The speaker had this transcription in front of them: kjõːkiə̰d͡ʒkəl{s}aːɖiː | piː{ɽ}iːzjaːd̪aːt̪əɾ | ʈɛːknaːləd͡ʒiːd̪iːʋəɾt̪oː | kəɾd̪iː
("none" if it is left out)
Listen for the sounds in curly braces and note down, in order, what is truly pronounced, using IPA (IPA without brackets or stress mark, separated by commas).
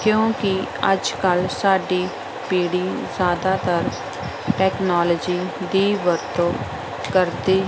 s, ɽ